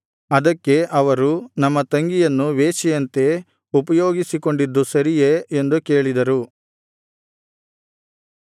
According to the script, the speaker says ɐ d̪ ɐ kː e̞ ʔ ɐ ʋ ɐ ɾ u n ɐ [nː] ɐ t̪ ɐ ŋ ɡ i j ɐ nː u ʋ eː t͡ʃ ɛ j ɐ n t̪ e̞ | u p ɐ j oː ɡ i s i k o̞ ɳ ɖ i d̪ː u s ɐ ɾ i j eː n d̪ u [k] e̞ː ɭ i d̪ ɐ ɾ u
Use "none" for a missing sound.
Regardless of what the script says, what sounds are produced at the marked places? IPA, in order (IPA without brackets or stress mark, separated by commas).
mː, k